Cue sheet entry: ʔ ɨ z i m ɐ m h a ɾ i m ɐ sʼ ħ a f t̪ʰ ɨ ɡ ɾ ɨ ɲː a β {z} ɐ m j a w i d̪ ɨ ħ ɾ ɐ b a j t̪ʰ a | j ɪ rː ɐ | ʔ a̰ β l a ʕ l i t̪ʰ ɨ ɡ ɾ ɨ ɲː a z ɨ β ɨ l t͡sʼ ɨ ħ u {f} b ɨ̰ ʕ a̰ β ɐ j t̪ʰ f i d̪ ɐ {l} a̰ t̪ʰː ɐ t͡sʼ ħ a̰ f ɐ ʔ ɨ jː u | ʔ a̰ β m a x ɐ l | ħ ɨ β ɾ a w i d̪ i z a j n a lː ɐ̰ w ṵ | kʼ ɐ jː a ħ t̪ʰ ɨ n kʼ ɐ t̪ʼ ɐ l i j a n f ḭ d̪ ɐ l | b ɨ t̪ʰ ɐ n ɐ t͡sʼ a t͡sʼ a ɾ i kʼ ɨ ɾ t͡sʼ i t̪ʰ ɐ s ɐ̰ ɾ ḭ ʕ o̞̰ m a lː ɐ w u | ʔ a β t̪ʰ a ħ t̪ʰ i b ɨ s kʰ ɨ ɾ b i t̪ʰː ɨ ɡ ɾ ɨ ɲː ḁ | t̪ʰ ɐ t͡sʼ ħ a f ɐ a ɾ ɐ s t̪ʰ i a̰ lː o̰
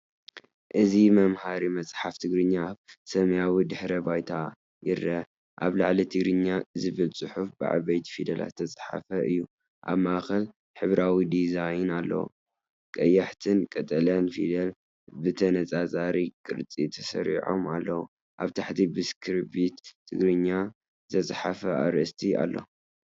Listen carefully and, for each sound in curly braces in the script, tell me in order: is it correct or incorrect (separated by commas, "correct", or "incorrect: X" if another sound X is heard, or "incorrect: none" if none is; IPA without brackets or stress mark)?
incorrect: s, correct, correct